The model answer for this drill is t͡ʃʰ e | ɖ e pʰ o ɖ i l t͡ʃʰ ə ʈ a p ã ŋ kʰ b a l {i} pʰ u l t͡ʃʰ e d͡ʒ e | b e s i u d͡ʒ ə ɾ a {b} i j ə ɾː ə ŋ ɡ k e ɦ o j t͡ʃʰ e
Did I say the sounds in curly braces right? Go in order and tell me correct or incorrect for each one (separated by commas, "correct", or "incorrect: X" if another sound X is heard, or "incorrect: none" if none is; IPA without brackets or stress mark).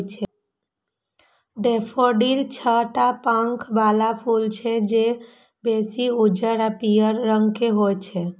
incorrect: a, incorrect: p